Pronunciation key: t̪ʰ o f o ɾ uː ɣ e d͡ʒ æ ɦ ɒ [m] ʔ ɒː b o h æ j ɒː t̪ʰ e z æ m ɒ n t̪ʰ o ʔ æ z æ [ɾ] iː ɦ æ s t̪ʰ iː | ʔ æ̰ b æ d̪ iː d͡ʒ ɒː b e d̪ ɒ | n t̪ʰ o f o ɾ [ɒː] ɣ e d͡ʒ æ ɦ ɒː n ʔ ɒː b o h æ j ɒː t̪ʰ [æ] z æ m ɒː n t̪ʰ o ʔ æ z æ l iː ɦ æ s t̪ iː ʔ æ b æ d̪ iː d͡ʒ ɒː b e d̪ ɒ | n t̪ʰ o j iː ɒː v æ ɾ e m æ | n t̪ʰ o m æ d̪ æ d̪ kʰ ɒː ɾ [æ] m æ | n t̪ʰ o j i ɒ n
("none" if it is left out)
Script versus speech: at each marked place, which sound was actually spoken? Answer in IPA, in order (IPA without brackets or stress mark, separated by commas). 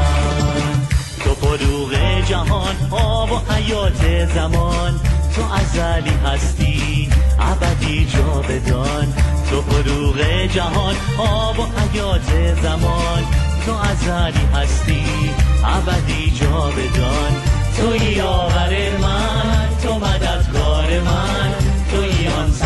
n, l, uː, e, e